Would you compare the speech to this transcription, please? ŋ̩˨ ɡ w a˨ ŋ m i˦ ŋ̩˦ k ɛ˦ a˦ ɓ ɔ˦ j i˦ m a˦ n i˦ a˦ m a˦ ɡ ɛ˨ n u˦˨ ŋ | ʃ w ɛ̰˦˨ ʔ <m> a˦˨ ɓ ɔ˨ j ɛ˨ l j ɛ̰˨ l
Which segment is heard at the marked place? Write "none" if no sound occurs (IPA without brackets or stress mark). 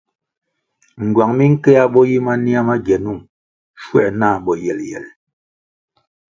n